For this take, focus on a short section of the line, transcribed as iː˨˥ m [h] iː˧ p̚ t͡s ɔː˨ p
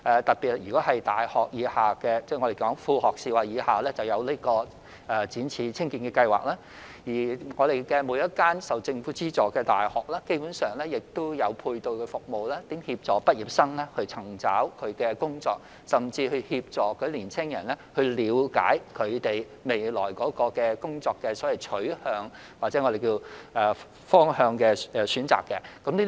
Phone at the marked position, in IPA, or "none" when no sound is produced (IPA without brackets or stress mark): h